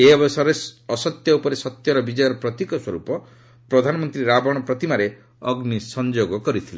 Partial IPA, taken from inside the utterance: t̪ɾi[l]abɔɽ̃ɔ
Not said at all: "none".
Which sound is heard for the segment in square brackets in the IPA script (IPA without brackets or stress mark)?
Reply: ɾ